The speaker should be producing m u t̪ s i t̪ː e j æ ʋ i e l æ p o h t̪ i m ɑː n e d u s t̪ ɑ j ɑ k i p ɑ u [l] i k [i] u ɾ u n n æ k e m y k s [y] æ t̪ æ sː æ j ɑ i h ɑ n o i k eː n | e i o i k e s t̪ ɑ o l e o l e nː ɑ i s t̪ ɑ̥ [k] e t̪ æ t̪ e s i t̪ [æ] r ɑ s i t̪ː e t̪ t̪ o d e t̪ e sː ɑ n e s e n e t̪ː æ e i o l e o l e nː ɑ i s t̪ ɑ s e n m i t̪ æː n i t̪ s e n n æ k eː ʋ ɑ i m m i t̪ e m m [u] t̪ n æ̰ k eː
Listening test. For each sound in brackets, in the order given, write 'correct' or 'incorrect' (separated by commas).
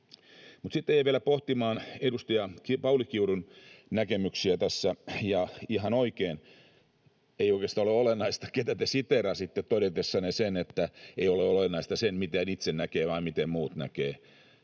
correct, correct, incorrect, correct, incorrect, incorrect